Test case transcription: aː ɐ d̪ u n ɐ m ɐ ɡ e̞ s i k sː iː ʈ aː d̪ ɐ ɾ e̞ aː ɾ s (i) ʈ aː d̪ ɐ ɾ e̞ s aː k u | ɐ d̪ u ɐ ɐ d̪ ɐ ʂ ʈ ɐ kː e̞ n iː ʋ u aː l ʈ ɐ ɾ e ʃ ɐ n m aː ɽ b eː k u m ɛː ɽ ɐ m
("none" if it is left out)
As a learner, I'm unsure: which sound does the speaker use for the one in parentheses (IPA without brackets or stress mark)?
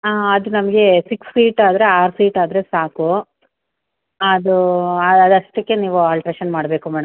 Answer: iː